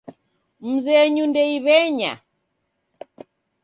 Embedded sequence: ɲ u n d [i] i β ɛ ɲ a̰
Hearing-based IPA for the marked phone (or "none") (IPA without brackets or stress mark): ɛ